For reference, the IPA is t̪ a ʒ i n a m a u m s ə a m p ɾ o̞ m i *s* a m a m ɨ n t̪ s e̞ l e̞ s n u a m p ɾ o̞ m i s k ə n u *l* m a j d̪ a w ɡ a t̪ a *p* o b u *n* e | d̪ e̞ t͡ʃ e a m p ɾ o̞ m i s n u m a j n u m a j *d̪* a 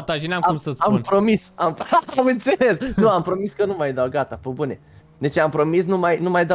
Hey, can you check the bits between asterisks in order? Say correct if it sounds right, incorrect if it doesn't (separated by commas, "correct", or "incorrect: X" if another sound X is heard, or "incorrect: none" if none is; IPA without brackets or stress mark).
correct, incorrect: none, correct, correct, correct